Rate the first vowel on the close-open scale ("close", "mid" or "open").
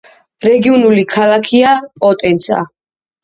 mid